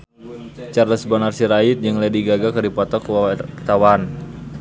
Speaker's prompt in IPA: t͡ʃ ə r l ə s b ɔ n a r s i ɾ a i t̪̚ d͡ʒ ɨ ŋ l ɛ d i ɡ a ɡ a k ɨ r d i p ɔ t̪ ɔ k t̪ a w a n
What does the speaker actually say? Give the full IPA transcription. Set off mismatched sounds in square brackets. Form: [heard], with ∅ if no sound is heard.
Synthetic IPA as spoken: t͡ʃ [a] r l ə s b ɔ n a r s i ɾ a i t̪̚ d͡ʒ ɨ ŋ l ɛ d i ɡ a ɡ a k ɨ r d i p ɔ t̪ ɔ k t̪ a w a n